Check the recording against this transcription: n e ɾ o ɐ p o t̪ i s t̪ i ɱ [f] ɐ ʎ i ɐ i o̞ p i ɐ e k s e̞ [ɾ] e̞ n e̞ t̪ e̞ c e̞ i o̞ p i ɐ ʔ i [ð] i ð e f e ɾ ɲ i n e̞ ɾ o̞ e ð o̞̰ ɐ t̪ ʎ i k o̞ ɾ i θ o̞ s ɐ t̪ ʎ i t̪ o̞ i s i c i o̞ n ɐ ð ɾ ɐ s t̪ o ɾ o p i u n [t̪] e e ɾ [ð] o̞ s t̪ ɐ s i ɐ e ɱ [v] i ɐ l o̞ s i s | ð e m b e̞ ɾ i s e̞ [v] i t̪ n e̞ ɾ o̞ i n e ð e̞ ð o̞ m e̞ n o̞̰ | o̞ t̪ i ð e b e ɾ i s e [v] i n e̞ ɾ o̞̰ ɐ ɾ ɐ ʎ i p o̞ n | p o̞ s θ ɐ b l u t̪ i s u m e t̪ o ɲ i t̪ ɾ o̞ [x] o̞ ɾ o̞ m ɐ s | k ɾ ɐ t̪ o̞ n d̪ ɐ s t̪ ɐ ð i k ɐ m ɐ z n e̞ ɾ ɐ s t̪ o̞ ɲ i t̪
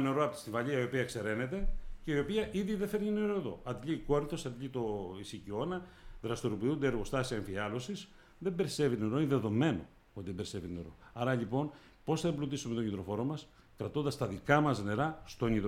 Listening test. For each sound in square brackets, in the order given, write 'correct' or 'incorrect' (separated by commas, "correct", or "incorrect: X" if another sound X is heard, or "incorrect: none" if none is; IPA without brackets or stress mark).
incorrect: v, correct, correct, incorrect: d̪, incorrect: ɣ, incorrect: f, correct, correct, incorrect: f